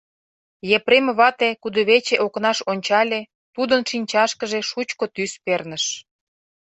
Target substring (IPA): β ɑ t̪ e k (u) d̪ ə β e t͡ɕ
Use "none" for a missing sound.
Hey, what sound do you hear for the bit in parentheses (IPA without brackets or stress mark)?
u